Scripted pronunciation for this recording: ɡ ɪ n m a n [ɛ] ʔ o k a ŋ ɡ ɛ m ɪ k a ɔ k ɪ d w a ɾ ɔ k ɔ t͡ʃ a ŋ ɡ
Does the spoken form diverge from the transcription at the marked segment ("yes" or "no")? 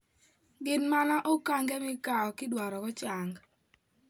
yes